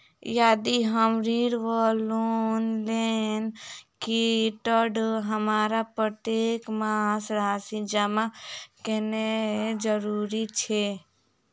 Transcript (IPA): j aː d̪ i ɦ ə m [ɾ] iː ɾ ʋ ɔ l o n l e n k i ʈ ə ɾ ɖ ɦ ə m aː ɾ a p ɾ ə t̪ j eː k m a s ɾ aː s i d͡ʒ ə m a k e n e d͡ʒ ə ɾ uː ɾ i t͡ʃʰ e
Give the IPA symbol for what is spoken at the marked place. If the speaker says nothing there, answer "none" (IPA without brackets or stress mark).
ɾ